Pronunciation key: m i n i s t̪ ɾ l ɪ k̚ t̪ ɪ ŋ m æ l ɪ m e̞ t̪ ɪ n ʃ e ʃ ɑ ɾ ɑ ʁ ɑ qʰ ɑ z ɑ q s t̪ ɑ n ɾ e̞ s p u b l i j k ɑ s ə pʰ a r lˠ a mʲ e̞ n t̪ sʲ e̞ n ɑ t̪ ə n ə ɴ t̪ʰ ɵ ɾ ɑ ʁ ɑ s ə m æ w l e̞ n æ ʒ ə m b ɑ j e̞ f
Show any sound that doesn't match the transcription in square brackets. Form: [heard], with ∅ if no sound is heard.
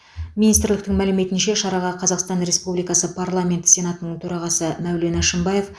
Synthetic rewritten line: m i n i s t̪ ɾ l ɪ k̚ t̪ ɪ ŋ m æ l ɪ m e̞ t̪ ɪ n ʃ e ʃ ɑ ɾ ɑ ʁ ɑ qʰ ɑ z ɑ q s t̪ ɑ n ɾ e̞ s p u b l i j k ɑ s ə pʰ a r lˠ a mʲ e̞ n t̪ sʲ e̞ n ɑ t̪ ə n ə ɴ t̪ʰ ɵ ɾ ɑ ʁ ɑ s ə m æ w l e̞ n æ [ʃ] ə m b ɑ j e̞ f